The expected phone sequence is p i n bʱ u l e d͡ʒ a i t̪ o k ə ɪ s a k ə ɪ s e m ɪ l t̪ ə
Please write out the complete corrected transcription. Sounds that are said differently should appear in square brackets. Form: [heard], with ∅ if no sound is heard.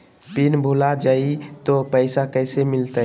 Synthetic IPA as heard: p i n bʱ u l [a] d͡ʒ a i t̪ o [p] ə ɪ s a k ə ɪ s e m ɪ l t̪ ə